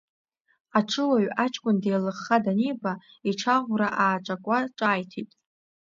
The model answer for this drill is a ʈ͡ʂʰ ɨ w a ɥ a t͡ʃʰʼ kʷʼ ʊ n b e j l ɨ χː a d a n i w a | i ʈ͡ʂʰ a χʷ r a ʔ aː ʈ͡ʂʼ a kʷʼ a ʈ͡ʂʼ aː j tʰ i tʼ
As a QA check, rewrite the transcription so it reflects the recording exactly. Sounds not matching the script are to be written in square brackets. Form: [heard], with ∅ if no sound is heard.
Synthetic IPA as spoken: a ʈ͡ʂʰ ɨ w a ɥ a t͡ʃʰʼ kʷʼ ʊ n [d] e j l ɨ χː a d a n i [b] a | i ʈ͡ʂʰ a [ʁʷ] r a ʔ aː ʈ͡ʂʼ a kʷʼ a ʈ͡ʂʼ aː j tʰ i tʼ